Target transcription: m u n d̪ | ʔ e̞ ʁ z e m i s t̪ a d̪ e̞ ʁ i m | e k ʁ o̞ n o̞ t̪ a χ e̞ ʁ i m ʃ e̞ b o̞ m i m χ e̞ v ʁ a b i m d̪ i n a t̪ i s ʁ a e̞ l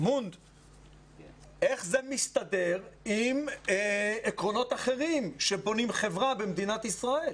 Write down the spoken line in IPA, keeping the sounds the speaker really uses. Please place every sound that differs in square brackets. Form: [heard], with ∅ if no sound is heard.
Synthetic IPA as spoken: m u n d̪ | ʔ e̞ [χ] z e m i s t̪ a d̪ e̞ ʁ i m | e k ʁ o̞ n o̞ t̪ a χ e̞ ʁ i m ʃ e̞ b o̞ [n] i m χ e̞ v ʁ a b [e] m d̪ i n a t̪ i s ʁ a e̞ l

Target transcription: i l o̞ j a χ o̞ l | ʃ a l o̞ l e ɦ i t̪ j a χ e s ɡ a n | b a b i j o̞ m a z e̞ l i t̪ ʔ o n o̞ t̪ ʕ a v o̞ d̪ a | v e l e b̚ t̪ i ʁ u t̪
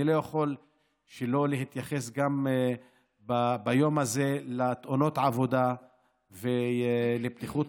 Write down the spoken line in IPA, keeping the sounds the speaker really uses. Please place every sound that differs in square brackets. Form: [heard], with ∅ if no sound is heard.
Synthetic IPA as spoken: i l o̞ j a χ o̞ l | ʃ [e] l o̞ l e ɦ i t̪ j a χ e s ɡ a [m] | b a b [a] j o̞ m a z e̞ l [a] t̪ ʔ o n o̞ t̪ ʕ a v o̞ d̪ a | v e l e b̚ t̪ i [χ] u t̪

